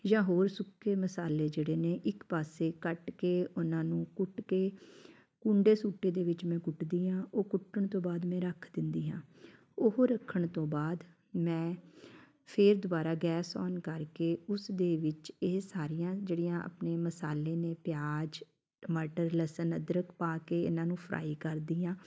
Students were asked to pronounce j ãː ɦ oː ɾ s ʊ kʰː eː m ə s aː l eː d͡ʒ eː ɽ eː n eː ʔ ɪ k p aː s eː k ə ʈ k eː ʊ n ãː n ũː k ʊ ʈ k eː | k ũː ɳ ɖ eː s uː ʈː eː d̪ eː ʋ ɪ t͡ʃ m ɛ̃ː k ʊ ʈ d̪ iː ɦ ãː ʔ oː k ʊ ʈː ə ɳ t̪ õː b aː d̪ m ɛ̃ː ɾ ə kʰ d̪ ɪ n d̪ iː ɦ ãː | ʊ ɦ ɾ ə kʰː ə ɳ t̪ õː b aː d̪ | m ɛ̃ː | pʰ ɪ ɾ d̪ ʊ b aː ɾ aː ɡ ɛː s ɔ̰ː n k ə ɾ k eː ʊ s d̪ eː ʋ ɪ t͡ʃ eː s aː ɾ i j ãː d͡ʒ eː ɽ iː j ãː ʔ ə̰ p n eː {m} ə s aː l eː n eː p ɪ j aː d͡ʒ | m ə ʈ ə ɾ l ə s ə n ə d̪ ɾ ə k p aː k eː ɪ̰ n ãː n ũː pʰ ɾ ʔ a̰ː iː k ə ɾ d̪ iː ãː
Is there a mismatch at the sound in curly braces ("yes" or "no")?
no